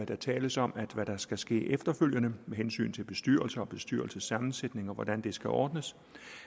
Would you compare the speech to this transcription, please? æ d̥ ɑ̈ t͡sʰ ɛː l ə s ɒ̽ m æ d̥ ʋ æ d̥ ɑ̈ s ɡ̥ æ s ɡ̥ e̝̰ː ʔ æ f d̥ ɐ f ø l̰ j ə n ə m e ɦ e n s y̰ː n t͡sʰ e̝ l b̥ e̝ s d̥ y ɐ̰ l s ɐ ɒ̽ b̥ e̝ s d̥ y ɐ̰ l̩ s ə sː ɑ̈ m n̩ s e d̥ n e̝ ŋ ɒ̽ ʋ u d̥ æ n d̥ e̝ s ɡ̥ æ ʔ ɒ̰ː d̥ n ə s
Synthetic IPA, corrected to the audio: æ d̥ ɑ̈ t͡sʰ ɛː l ə s ɒ̽ m æ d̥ ʋ æ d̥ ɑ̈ s ɡ̥ æ s ɡ̥ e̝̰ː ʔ e f d̥ ɐ f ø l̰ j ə n ə m e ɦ e n s y̰ː n t͡sʰ e̝ l b̥ e̝ s d̥ y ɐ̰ l s ɐ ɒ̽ b̥ e̝ s d̥ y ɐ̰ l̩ s ə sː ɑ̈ m n̩ s e d̥ n e̝ ŋ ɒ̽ ʋ ɒ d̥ æ n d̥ e̝ s ɡ̥ æ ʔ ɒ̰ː d̥ n ə s